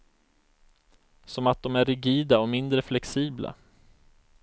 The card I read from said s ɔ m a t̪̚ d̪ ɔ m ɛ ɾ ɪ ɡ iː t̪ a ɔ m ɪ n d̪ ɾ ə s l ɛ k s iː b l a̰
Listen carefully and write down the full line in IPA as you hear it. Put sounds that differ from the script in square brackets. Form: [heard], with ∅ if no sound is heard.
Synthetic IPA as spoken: s ɔ m a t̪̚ d̪ ɔ m [æ] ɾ ɪ ɡ iː [d̪] a ɔ m ɪ n d̪ ɾ ə [f] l ɛ k s iː b l a̰